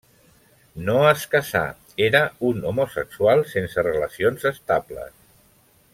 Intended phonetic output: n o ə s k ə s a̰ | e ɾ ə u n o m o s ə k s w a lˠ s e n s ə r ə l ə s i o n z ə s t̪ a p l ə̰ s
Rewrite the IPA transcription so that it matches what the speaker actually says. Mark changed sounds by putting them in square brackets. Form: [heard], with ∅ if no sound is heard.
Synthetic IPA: n o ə s k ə s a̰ | e ɾ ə u n o m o s ə k s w a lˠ s e n s ə r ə l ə s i o n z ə s t̪ a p l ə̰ s